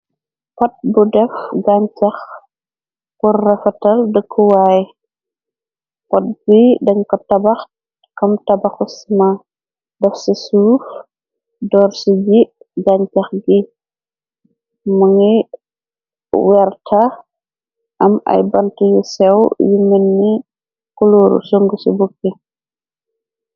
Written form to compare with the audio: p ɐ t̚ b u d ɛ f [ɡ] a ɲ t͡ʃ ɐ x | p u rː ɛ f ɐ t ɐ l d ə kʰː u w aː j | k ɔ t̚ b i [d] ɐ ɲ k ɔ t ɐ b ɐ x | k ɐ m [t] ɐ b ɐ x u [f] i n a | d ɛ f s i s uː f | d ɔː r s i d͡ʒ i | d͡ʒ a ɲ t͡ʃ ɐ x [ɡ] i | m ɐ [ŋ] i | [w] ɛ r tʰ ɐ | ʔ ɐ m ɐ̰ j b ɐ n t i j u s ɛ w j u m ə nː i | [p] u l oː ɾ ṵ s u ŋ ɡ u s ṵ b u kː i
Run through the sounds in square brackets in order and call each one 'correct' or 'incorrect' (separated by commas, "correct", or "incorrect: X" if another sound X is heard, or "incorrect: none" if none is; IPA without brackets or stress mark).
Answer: correct, correct, correct, incorrect: s, correct, correct, correct, incorrect: k